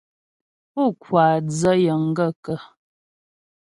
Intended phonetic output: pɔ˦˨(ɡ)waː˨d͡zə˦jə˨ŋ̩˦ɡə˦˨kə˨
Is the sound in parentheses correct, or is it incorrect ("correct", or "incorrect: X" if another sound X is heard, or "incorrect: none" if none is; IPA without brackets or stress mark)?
incorrect: k